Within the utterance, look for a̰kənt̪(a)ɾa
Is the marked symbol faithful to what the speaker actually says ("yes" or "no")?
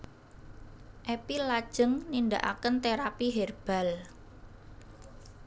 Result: no